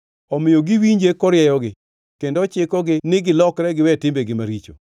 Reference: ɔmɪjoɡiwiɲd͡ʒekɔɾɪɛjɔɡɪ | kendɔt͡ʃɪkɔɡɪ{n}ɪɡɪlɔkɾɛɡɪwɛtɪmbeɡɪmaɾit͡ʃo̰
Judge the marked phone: correct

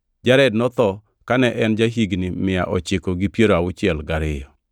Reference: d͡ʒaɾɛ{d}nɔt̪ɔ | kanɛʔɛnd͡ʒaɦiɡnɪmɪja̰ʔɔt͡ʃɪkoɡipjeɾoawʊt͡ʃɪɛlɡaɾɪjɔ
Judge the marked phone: correct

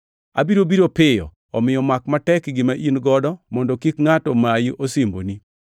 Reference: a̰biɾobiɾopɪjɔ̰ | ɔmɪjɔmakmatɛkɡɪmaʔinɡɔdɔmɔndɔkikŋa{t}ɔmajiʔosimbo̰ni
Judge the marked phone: correct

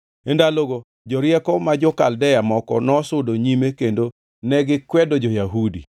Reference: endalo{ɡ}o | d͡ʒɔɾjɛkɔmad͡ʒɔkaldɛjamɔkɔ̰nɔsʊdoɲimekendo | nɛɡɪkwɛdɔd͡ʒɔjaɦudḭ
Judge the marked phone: correct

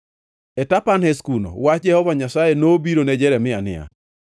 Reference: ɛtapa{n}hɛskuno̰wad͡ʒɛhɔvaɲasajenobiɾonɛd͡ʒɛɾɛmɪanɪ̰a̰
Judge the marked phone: correct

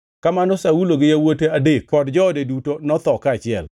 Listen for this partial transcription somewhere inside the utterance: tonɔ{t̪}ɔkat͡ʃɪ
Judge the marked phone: correct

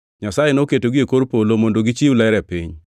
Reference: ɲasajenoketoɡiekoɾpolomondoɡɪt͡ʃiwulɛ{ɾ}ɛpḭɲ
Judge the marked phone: correct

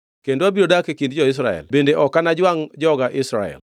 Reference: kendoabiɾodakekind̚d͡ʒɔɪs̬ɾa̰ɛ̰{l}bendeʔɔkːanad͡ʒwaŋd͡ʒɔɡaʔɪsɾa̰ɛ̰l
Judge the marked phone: correct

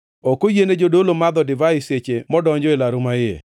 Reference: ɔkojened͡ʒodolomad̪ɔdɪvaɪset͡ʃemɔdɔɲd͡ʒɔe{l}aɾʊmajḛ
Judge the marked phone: correct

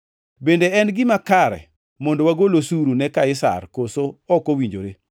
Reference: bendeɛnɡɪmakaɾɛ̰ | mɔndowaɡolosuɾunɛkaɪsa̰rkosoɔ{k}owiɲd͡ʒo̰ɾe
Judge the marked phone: correct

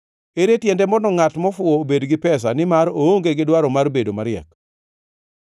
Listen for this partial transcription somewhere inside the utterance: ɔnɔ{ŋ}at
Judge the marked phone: correct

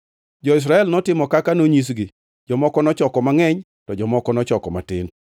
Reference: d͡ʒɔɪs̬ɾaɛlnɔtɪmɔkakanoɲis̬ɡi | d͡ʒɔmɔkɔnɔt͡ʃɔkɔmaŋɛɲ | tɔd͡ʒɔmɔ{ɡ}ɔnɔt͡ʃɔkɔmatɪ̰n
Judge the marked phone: incorrect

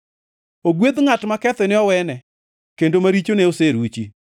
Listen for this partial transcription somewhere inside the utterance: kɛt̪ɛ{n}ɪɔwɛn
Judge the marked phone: correct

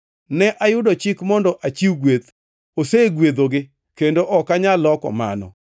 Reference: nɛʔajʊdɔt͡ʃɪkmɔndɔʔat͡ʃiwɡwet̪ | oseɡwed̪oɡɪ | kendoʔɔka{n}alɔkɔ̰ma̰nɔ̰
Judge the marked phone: incorrect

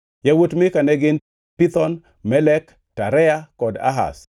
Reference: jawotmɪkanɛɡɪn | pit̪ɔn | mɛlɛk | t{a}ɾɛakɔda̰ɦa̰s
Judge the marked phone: correct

